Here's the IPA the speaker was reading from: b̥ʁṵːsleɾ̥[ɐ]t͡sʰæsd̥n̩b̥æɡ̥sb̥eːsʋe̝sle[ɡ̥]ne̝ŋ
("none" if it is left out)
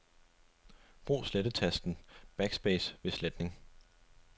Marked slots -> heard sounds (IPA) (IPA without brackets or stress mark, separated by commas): ə, d̥